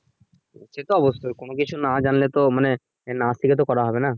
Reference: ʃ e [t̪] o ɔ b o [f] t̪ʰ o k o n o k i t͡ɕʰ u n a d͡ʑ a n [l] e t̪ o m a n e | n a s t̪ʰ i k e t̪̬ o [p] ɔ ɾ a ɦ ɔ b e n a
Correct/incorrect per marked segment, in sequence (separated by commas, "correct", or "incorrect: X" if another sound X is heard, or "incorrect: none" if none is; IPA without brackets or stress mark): correct, incorrect: s, correct, incorrect: k